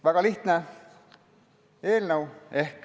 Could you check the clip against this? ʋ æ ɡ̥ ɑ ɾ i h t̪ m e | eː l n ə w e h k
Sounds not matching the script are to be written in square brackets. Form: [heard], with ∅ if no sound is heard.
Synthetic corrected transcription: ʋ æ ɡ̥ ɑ [l] i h t̪ [n] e | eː l n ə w e h k